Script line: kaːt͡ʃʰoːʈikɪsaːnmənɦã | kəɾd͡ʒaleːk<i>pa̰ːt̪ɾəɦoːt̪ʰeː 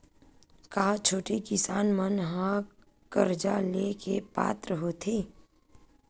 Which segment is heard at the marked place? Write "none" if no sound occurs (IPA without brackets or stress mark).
e